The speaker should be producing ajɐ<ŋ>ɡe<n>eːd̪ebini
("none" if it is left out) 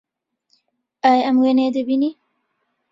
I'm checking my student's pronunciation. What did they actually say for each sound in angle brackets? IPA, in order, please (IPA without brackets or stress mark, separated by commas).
m, n